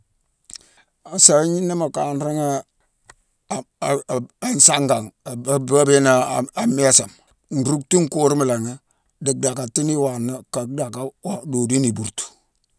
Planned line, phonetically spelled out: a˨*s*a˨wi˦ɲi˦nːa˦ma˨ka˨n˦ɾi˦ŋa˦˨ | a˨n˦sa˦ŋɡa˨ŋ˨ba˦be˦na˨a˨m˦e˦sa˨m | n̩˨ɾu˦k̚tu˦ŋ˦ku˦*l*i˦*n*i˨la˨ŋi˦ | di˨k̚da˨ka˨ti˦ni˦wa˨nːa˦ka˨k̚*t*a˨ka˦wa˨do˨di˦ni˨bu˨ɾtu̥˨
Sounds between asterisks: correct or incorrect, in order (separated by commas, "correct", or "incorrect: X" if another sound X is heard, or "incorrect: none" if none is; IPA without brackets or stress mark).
correct, incorrect: ɾ, incorrect: m, incorrect: d